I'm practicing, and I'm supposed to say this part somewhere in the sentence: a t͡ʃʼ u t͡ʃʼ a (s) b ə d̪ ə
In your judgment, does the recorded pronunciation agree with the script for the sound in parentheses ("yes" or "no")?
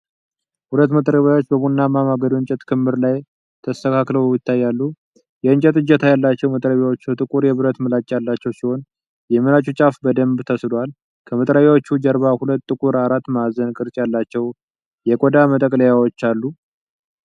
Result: no